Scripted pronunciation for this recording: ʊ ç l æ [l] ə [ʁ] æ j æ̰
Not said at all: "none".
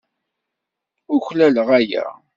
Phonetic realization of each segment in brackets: l, ʁ

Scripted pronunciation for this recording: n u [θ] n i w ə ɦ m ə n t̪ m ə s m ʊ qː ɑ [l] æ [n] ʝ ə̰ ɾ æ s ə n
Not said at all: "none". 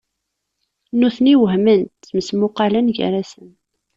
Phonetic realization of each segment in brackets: θ, l, n

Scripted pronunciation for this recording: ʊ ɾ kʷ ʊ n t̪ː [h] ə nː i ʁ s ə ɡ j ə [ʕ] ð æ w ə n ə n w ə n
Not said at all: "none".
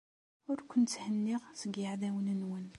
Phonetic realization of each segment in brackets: h, ʕ

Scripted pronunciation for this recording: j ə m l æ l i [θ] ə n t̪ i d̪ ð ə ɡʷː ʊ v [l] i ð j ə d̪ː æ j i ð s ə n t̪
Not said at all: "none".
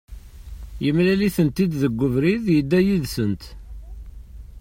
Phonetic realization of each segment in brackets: θ, ɾ

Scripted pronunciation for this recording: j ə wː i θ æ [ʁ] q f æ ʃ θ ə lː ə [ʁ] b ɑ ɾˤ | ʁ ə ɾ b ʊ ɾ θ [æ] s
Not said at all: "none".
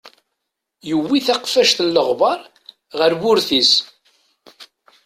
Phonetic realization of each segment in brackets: none, ʁ, i

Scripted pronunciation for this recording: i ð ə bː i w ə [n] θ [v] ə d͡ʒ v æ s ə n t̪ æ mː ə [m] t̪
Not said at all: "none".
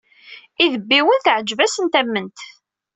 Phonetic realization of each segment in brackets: n, ʕ, n

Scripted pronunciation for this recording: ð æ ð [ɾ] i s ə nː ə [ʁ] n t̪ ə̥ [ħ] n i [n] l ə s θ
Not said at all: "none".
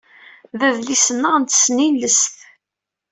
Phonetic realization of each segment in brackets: l, ʁ, s, n

